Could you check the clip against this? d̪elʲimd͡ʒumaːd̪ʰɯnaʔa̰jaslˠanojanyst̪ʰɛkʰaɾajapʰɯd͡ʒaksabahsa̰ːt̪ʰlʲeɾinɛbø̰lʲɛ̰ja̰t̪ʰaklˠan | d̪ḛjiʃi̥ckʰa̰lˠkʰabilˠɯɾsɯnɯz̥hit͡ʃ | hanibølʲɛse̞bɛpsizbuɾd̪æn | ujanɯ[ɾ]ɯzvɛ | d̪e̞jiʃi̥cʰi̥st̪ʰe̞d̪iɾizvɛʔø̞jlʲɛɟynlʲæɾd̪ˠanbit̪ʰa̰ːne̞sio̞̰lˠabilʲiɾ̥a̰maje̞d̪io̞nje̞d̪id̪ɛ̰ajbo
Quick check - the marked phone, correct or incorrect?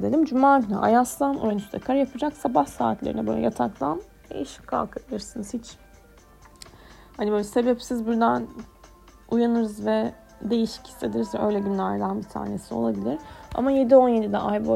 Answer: correct